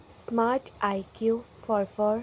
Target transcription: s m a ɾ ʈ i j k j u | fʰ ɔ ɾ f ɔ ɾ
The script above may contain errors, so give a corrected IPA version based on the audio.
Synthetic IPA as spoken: s m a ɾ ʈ a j k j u | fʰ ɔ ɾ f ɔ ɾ